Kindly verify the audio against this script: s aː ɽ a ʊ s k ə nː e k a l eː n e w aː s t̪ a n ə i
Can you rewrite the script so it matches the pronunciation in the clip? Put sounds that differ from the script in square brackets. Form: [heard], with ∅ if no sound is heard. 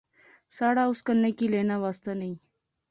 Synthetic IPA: s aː ɽ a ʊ s k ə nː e k [i] l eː n [a] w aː s t̪ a n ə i